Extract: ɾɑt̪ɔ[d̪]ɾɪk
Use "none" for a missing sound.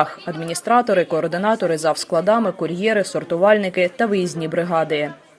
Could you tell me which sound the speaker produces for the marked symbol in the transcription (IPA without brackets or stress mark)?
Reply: none